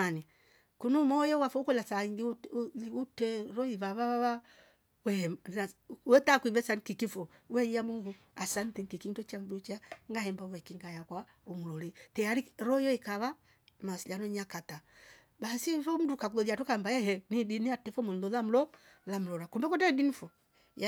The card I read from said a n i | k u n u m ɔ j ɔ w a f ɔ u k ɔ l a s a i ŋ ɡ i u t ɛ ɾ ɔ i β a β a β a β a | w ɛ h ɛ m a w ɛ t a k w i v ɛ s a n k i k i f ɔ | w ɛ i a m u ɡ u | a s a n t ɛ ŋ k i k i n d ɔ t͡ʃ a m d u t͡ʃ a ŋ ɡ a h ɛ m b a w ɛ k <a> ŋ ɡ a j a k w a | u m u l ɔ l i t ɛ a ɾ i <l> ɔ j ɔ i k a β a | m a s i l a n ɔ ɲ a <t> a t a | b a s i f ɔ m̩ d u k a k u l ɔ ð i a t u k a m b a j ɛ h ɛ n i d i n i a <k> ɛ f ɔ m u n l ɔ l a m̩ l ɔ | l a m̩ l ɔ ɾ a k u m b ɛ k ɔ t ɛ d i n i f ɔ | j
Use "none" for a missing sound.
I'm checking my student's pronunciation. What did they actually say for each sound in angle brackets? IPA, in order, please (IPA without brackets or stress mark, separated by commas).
i, ɾ, k, t